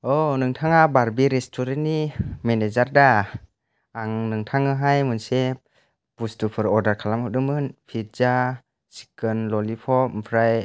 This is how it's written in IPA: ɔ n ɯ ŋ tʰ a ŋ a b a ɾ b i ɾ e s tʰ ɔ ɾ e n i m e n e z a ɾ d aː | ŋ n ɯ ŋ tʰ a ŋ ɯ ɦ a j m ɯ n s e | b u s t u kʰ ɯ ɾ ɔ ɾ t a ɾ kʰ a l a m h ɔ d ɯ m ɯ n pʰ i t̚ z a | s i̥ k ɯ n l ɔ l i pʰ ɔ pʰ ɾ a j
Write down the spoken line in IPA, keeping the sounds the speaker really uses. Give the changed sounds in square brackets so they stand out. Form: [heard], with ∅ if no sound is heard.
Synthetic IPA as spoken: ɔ n ɯ ŋ tʰ a ŋ a b a ɾ b i ɾ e s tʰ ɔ ɾ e n i m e n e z a ɾ d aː | ŋ n ɯ ŋ tʰ a ŋ ɯ ɦ a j m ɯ n s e | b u s t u [pʰ] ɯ ɾ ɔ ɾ [d] a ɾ kʰ a l a m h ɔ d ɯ m ɯ n pʰ i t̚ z a | s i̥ k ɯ n l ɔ l i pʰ ɔ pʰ ɾ a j